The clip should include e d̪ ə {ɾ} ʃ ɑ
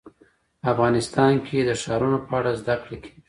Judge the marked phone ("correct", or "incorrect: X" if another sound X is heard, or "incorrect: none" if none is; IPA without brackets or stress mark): incorrect: none